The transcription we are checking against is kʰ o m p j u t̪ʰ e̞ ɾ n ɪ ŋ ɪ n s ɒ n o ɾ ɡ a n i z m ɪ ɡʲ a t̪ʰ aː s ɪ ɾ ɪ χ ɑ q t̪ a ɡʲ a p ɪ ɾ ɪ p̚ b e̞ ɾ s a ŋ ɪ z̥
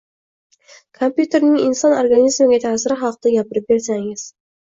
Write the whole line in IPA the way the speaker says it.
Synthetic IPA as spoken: kʰ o m p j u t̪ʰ e̞ ɾ n ɪ ŋ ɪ n s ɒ n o ɾ ɡ a n i z m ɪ ɡʲ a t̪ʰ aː s ɪ ɾ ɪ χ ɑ q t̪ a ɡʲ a p ɪ ɾ ɪ p̚ b e̞ ɾ s a ŋ ɪ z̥